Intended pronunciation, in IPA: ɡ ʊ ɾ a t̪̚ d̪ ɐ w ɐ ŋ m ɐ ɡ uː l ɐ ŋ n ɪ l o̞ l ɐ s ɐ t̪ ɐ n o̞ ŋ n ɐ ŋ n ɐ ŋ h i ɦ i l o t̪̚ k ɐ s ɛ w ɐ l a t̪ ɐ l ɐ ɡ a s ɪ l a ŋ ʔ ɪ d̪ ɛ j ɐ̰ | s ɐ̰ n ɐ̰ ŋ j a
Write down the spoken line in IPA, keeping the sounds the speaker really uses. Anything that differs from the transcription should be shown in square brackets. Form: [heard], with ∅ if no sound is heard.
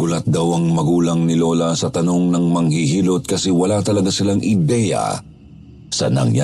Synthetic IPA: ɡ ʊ [l] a t̪̚ d̪ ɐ w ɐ ŋ m ɐ ɡ uː l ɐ ŋ n ɪ l o̞ l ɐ s ɐ t̪ ɐ n o̞ ŋ n ɐ ŋ [m] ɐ ŋ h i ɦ i l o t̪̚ k ɐ s ɛ w ɐ l a t̪ ɐ l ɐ ɡ a s ɪ l a ŋ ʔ ɪ d̪ ɛ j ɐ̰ | s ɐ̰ n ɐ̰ ŋ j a